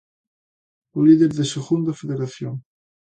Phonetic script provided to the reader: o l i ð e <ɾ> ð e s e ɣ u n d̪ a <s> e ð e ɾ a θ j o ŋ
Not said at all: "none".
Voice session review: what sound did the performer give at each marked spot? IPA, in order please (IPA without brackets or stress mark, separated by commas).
ɾ, f